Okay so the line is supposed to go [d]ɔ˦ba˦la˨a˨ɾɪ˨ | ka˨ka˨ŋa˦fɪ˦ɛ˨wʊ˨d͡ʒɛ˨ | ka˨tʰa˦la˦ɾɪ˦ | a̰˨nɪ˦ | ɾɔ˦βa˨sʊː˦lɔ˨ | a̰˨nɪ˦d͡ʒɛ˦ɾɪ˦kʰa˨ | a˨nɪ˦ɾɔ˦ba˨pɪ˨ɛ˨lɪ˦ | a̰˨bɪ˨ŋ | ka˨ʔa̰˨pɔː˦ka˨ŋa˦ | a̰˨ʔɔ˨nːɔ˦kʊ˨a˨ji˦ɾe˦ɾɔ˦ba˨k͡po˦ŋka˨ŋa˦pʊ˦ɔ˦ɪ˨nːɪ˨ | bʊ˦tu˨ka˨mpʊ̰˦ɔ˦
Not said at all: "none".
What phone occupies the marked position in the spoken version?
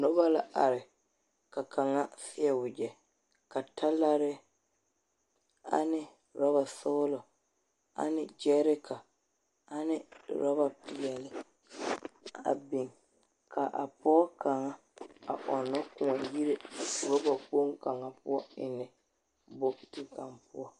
n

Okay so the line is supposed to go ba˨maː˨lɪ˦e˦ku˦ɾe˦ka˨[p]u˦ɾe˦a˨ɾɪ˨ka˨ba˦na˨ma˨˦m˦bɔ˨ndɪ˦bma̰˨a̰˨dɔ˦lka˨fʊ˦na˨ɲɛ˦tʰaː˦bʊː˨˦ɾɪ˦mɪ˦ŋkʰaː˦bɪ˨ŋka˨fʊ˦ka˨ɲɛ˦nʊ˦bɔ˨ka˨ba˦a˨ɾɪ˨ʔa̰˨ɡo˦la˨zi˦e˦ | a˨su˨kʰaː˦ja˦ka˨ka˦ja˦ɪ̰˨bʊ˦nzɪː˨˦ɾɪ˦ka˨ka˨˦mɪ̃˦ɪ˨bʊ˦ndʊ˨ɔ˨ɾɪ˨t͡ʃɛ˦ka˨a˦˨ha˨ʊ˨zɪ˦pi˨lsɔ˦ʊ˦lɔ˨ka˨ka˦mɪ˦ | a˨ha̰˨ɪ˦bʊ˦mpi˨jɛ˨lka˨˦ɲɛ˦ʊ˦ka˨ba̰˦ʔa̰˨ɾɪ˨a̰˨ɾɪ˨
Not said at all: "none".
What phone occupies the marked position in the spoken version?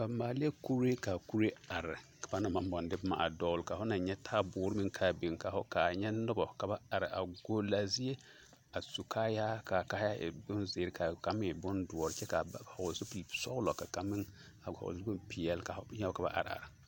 k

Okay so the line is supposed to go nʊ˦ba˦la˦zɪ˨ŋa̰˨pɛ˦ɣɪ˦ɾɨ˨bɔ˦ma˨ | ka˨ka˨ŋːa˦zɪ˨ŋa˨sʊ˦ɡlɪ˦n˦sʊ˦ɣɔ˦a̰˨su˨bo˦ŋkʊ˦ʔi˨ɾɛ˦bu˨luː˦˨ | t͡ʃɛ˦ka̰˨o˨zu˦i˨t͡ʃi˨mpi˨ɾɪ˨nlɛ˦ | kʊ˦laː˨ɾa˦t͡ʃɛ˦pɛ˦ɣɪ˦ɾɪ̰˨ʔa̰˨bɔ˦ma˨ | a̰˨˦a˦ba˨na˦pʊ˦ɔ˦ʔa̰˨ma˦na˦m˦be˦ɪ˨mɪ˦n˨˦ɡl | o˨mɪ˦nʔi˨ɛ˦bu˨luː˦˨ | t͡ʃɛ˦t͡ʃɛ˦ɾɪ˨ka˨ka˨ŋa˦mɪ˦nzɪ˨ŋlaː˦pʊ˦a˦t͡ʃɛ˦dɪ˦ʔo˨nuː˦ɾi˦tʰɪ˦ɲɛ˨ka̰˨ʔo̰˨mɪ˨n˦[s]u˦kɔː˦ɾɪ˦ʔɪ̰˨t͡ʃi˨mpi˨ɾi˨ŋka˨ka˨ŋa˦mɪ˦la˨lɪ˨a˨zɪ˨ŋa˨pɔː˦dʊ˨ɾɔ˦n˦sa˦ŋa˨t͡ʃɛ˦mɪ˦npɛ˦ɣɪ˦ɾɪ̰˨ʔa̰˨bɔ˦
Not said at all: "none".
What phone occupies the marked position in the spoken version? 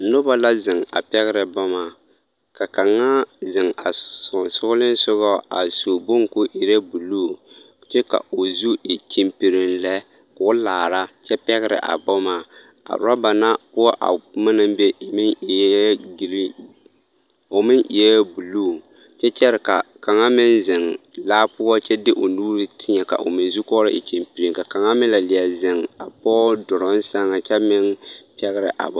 z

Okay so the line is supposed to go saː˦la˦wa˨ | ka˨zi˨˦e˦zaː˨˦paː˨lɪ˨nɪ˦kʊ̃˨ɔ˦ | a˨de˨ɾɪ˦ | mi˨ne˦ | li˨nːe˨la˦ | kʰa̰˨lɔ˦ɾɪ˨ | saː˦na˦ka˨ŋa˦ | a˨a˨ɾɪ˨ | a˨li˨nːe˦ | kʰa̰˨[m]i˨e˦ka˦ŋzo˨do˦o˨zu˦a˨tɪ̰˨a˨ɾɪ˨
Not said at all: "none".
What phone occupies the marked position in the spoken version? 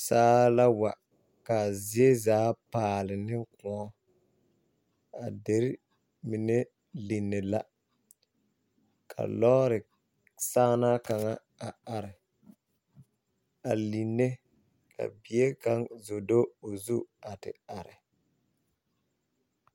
b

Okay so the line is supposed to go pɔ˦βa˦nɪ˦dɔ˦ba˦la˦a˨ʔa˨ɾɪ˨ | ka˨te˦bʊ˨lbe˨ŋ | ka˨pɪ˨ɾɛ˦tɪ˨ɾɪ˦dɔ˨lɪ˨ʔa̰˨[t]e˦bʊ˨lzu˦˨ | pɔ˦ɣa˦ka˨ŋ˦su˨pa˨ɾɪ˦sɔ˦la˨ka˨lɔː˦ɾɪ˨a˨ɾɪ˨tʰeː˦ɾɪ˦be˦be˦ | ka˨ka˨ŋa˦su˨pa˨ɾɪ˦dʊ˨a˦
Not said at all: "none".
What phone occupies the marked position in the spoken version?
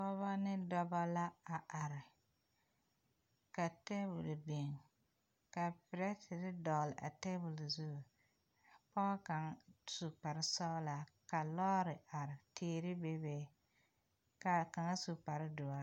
t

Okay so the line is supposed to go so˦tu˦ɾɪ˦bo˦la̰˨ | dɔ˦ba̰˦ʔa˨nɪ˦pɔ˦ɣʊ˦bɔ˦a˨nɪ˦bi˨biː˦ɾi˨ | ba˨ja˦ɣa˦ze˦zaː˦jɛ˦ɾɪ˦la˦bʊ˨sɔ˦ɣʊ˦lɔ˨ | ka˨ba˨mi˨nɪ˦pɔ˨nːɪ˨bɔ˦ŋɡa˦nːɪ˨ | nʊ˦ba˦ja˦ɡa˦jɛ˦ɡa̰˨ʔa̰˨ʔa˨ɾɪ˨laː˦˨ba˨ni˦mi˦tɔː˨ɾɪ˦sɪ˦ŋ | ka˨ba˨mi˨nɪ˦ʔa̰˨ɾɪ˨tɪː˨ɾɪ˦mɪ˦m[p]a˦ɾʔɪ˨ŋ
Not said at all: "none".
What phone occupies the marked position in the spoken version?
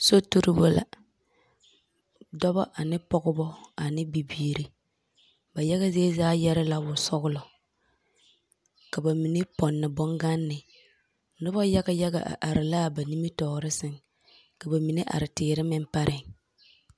p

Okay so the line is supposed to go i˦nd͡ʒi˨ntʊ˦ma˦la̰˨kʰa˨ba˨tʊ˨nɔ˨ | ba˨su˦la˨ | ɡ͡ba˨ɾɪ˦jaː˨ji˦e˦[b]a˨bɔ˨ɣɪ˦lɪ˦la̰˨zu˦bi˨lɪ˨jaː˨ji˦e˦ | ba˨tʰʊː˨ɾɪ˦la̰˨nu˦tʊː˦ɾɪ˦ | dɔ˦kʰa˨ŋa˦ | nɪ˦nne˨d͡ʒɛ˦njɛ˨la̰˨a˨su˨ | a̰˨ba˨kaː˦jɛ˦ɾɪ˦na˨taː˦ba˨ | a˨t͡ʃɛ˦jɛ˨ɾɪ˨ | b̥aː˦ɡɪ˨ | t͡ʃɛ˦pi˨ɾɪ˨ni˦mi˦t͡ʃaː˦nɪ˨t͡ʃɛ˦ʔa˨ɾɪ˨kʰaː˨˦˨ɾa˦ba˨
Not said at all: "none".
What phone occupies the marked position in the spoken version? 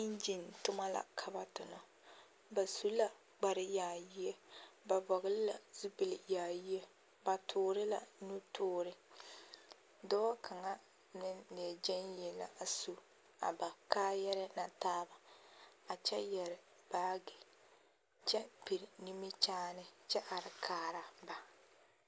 b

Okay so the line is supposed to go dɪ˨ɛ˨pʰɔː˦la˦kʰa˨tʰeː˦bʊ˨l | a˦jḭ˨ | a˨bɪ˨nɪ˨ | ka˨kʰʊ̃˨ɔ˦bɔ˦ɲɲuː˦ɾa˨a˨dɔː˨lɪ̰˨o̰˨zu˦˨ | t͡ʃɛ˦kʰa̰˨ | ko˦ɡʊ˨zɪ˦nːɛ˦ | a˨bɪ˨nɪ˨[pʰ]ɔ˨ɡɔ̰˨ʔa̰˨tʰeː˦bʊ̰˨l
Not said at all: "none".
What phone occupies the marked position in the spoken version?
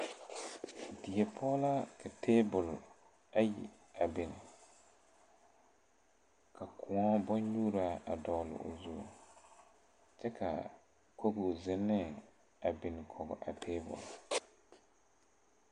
kʰ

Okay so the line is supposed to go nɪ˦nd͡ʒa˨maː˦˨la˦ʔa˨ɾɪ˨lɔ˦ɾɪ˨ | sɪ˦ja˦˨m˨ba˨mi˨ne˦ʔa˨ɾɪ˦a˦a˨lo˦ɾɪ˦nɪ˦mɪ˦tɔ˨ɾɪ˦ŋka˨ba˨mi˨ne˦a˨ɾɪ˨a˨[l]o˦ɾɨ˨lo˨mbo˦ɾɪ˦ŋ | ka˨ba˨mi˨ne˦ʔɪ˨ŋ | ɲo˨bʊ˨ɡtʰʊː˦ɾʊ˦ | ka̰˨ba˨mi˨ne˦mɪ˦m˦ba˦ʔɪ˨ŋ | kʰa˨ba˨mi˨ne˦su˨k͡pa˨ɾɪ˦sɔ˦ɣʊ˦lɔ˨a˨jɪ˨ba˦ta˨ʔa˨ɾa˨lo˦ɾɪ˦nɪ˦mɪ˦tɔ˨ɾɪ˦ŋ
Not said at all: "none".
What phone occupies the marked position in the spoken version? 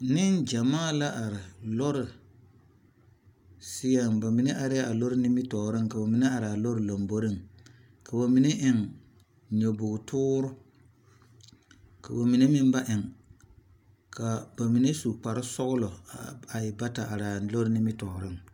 l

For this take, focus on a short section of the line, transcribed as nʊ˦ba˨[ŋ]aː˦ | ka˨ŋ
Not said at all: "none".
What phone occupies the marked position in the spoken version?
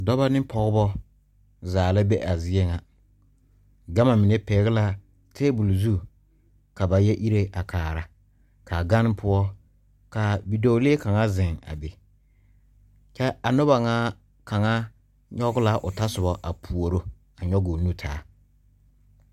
ŋ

